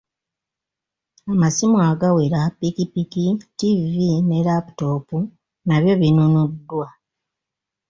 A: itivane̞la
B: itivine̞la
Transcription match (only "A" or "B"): B